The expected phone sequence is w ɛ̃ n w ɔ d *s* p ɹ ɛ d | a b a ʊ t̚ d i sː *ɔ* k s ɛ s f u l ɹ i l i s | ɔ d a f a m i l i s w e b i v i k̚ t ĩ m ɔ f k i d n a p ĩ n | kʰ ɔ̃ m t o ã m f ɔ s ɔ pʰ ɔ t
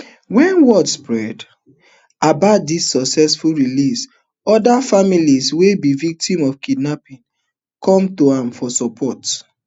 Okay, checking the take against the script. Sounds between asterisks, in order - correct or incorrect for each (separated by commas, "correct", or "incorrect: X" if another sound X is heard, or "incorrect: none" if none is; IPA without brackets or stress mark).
correct, correct